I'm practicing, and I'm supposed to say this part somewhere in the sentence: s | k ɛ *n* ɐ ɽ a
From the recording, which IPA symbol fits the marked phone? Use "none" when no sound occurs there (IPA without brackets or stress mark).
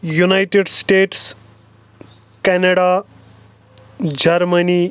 n